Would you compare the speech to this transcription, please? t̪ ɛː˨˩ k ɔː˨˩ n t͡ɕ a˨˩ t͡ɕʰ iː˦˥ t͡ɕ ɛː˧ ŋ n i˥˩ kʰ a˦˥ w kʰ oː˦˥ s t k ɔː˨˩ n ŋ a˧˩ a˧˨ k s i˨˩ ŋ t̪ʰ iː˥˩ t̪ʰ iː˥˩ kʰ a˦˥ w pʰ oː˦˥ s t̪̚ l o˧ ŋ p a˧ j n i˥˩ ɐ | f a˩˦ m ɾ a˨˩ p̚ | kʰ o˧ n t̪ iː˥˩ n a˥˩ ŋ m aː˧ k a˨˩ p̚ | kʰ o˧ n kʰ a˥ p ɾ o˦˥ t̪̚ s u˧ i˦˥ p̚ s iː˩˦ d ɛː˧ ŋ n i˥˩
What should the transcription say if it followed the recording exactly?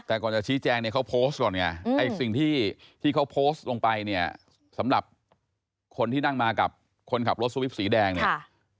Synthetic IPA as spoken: t̪ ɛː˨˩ k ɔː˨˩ n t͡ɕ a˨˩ t͡ɕʰ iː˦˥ t͡ɕ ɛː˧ ŋ n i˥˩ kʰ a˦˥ w pʰ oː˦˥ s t k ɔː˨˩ n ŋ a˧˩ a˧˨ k s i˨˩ ŋ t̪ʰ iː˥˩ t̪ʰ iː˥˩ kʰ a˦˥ w pʰ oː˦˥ s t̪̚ l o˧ ŋ p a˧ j n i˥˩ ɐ | s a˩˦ m ɾ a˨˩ p̚ | kʰ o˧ n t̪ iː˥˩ n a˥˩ ŋ m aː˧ k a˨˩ p̚ | kʰ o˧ n kʰ a˨˩ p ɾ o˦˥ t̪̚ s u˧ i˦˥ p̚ s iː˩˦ d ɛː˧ ŋ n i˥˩